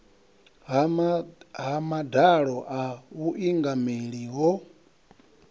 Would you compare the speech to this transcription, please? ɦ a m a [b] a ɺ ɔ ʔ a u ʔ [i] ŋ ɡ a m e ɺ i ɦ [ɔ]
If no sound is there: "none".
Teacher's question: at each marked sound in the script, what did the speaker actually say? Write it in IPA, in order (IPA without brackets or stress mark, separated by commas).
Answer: d, i, ɔ